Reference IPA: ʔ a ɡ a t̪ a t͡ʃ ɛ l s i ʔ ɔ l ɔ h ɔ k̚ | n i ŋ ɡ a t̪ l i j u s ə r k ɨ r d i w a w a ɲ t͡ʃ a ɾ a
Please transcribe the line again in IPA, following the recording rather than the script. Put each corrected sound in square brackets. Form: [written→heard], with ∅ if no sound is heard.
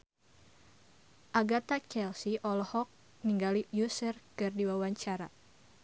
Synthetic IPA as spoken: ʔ a ɡ a t̪ a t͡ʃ ɛ l s i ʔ ɔ l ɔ h ɔ k̚ | n i ŋ ɡ a [t̪→∅] l i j u s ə r k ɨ r d i w a w a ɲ t͡ʃ a ɾ a